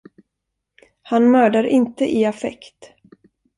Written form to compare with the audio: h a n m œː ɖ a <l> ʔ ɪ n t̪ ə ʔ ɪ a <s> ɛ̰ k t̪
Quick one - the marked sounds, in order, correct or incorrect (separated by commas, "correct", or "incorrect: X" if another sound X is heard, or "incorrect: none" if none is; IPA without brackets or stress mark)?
incorrect: ɾ, incorrect: f